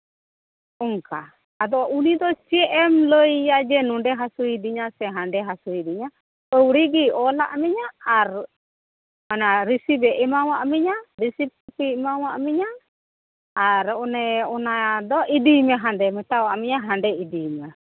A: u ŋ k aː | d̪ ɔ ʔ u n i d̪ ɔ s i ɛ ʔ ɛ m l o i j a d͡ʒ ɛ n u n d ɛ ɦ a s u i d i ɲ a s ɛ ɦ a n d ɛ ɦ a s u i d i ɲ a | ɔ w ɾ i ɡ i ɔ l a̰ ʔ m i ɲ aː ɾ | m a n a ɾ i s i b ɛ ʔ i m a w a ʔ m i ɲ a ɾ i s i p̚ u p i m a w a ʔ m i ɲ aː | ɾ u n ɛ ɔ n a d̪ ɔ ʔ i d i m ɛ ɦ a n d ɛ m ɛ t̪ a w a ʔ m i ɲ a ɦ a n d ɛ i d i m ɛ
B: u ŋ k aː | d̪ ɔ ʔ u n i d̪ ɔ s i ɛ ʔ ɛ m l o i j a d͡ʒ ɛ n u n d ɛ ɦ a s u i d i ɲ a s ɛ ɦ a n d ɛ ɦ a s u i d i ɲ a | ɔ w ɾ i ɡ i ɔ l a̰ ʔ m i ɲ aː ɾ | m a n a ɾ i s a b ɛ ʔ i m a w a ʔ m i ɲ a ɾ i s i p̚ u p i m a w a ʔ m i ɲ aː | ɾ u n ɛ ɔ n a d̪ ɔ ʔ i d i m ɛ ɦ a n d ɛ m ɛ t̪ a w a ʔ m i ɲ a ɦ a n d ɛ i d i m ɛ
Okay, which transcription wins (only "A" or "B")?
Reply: A